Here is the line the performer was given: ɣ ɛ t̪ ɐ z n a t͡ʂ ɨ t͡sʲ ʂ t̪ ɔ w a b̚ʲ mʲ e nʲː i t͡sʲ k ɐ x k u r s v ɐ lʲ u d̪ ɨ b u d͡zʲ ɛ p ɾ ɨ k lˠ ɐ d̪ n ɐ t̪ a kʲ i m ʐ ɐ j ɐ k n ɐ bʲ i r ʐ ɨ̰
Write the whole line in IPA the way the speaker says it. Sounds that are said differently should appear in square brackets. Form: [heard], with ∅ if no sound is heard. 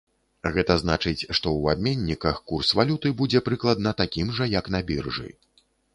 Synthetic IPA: ɣ ɛ t̪ ɐ z n a t͡ʂ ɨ t͡sʲ ʂ t̪ ɔ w a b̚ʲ mʲ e nʲː i [∅] k ɐ x k u r s v [a] lʲ u [t̪] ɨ b u d͡zʲ ɛ p ɾ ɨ k lˠ ɐ d̪ n ɐ t̪ a kʲ i m ʐ ɐ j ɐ k n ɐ bʲ i r ʐ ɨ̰